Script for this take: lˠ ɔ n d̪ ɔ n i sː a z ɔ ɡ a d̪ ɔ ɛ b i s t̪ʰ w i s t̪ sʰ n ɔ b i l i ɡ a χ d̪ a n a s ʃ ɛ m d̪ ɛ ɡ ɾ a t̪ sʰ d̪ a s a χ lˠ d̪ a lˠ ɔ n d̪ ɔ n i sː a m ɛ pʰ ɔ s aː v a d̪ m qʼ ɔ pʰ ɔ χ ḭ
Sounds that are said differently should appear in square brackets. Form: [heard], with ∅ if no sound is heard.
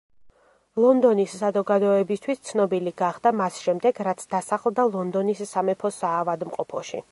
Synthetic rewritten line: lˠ ɔ n d̪ ɔ n i sː a z ɔ ɡ a d̪ ɔ ɛ b i s t̪ʰ w i s t̪ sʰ n ɔ b i l i ɡ a χ d̪ a [m] a s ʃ ɛ m d̪ ɛ ɡ ɾ a t̪ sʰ d̪ a s a χ lˠ d̪ a lˠ ɔ n d̪ ɔ n i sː a m ɛ pʰ ɔ s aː v a d̪ m qʼ ɔ pʰ ɔ [ʃ] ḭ